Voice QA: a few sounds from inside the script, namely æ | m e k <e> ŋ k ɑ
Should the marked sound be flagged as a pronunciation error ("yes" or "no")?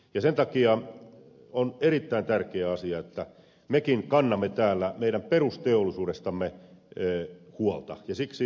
yes